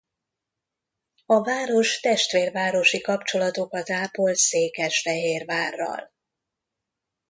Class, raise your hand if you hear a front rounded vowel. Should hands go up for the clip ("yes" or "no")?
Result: no